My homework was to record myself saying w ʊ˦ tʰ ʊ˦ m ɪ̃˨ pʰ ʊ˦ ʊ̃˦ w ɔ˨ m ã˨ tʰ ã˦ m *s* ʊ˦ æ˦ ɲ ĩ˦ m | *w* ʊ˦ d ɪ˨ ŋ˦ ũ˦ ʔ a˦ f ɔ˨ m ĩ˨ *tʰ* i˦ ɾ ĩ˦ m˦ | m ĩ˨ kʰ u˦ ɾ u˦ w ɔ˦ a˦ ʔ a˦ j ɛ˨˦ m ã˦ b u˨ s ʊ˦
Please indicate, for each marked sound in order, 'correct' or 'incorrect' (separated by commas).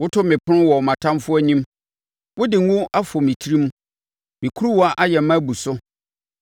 incorrect, correct, correct